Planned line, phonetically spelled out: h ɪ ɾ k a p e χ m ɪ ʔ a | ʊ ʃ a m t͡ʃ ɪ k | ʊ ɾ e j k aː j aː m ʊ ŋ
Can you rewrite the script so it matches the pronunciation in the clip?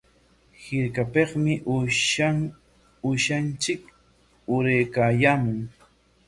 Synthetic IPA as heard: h ɪ ɾ k a p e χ m ɪ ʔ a | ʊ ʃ a n t͡ʃ ɪ k | ʊ ɾ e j k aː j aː m ʊ ŋ